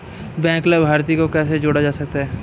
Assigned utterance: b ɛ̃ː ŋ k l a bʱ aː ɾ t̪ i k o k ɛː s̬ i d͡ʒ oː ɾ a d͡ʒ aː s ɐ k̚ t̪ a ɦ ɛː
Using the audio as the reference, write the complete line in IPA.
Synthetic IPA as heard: b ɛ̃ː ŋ k l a bʱ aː ɾ t̪ i k o k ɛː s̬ e d͡ʒ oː ɽ a d͡ʒ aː s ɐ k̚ t̪ a ɦ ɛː